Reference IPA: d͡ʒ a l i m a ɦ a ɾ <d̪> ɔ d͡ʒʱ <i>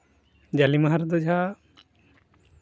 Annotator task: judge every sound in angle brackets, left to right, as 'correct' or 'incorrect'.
correct, incorrect

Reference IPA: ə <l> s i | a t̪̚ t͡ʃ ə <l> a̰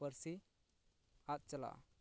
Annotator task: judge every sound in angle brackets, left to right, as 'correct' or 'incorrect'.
incorrect, correct

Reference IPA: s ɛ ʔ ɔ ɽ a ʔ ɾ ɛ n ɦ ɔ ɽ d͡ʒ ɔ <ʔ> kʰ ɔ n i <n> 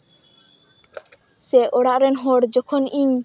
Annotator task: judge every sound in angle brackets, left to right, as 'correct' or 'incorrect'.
incorrect, incorrect

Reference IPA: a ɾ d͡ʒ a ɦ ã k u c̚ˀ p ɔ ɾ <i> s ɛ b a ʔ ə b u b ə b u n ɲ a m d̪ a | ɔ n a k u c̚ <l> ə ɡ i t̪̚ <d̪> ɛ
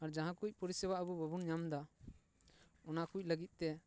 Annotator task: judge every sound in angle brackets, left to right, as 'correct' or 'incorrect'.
correct, correct, incorrect

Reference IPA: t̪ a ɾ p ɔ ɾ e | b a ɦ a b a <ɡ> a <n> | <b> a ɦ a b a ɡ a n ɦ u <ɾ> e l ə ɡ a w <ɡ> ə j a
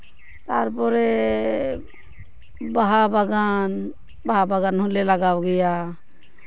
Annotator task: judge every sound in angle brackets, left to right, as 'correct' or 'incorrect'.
correct, correct, correct, incorrect, correct

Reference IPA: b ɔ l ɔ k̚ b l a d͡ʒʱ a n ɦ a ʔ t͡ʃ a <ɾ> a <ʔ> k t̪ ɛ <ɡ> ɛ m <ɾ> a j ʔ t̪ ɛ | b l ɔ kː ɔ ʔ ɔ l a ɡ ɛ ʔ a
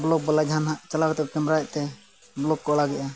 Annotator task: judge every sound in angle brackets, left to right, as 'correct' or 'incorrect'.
incorrect, incorrect, incorrect, correct

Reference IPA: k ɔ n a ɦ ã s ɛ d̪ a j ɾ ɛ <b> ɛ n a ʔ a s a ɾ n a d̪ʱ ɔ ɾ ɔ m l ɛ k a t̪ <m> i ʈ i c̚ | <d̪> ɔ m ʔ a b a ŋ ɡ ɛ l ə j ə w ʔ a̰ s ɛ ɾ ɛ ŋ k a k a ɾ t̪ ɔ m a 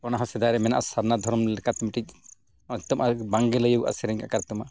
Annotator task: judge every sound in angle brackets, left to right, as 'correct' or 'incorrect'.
incorrect, correct, incorrect

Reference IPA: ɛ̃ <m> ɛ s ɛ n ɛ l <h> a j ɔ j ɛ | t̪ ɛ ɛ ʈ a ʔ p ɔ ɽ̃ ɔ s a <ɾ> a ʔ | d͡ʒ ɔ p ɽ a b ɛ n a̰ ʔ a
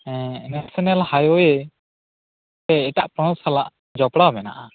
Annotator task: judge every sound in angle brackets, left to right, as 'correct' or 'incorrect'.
incorrect, correct, incorrect

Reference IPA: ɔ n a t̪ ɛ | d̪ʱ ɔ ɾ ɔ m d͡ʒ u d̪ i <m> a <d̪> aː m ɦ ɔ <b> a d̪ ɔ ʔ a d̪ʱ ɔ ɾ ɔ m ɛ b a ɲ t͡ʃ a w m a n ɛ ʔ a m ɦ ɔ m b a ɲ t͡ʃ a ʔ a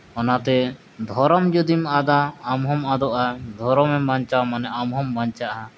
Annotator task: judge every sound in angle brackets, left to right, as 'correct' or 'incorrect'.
correct, correct, incorrect

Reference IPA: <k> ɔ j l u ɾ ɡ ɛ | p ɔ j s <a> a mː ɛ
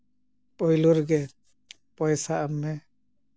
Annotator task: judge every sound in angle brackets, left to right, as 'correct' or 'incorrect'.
incorrect, correct

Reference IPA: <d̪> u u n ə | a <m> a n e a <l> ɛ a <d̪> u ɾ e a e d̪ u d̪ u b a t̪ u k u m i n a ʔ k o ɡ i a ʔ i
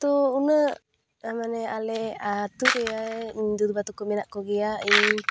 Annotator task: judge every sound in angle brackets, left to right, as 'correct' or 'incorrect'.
incorrect, correct, correct, incorrect

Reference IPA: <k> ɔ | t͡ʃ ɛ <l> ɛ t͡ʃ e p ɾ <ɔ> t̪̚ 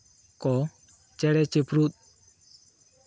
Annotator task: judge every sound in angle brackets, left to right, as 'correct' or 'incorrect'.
correct, incorrect, incorrect

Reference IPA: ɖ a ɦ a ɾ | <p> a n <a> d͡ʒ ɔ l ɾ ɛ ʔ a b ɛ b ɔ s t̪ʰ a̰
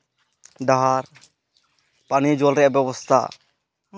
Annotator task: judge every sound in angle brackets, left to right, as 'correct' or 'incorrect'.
correct, incorrect

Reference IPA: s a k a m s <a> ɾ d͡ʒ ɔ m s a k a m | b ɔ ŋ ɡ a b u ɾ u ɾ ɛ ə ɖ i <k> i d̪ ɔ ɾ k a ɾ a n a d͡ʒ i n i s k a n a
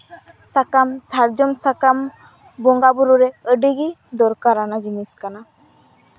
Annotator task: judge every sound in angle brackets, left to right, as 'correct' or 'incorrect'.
correct, incorrect

